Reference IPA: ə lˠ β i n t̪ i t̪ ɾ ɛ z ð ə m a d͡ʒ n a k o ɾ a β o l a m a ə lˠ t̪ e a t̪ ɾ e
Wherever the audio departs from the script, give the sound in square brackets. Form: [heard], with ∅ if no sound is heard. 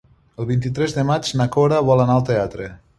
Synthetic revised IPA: ə lˠ β i n t̪ i t̪ ɾ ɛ z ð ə m a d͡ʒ n a k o ɾ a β [ɔ] l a [n] a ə lˠ t̪ e a t̪ ɾ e